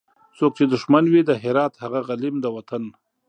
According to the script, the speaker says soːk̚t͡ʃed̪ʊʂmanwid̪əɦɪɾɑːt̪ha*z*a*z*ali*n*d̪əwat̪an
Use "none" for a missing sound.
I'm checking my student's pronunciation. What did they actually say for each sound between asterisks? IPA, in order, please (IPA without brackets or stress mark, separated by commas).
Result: ɣ, ɣ, m